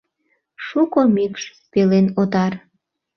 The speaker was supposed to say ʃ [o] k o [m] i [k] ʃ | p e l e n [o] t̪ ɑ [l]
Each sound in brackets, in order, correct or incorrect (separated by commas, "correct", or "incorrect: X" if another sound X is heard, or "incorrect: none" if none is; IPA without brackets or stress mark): incorrect: u, correct, correct, correct, incorrect: r